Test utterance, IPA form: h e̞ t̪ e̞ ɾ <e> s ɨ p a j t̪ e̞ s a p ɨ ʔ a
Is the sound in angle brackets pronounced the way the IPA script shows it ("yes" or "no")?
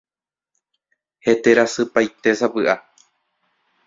no